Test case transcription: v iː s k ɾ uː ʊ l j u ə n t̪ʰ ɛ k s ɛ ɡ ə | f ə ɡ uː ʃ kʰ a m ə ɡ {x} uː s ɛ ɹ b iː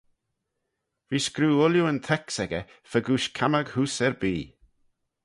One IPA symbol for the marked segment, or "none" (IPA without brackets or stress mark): h